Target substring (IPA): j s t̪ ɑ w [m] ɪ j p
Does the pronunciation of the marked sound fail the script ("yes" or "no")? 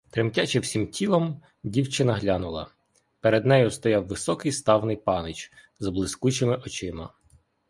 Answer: yes